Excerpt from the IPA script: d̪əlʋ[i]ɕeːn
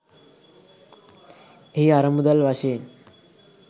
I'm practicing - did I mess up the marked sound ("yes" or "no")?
yes